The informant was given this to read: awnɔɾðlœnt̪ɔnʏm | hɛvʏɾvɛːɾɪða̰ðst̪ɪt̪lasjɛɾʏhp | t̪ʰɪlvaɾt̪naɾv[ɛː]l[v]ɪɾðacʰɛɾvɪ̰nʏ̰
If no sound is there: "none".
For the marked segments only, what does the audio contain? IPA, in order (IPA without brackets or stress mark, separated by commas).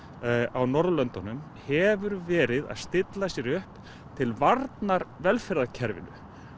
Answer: ɛ, f